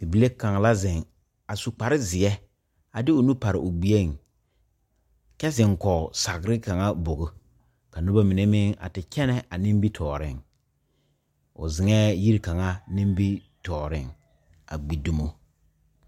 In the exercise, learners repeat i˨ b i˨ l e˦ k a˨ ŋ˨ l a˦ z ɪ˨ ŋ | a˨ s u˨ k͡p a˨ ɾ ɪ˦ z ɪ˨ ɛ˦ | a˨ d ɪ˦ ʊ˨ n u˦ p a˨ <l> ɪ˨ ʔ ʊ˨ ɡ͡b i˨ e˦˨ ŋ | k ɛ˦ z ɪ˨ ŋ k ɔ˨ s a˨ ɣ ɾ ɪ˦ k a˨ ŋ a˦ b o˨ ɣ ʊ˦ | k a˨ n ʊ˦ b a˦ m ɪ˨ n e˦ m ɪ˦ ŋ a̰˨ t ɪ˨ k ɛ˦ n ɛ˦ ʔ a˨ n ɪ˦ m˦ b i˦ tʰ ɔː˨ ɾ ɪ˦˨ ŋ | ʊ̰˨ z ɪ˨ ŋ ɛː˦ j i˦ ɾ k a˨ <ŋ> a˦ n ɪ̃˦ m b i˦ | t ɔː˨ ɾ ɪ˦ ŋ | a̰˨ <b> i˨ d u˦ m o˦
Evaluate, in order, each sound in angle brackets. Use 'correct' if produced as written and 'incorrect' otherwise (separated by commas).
incorrect, correct, incorrect